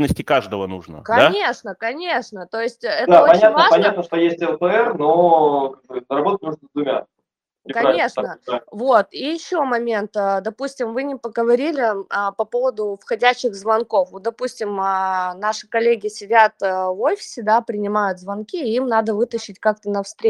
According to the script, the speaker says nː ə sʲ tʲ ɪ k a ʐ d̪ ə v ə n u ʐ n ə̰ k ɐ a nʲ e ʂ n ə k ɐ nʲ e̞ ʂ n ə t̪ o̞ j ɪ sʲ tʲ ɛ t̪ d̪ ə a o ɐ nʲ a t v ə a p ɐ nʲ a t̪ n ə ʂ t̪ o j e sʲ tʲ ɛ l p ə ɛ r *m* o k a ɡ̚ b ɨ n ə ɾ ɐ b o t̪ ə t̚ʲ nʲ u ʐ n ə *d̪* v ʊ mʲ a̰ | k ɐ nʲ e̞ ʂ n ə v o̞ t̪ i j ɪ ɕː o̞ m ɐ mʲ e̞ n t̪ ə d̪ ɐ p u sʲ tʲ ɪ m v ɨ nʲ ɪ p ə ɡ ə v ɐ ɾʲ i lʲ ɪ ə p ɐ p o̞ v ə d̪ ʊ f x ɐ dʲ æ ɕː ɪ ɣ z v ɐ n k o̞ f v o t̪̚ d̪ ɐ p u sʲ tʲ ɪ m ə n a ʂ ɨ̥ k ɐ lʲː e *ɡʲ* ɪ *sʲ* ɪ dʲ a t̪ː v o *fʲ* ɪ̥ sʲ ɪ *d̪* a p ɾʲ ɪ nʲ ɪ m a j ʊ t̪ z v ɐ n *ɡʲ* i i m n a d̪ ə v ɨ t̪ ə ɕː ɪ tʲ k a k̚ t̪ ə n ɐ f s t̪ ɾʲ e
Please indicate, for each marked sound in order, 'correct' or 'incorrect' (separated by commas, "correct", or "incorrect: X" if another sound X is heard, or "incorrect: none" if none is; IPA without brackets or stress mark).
incorrect: n, correct, correct, correct, correct, correct, incorrect: kʲ